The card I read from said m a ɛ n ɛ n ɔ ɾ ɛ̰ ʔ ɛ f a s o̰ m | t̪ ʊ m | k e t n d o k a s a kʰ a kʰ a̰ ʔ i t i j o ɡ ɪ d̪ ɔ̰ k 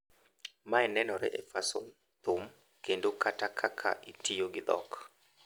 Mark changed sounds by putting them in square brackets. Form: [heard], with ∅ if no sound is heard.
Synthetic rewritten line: m a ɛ n ɛ n ɔ ɾ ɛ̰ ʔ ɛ f a s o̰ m | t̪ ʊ m | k e [∅] n d o k a [t] a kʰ a kʰ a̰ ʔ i t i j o ɡ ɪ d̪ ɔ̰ k